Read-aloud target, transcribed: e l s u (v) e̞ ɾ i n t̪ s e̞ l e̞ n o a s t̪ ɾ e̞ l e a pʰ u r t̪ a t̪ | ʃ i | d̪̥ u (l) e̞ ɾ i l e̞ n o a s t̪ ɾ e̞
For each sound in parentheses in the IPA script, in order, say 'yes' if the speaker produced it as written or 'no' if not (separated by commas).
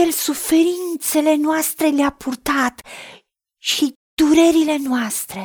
no, no